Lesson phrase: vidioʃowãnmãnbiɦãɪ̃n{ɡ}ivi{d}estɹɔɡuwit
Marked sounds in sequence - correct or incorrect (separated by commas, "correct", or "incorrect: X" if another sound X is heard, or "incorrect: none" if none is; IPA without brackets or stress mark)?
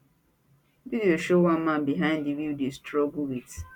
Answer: incorrect: d, correct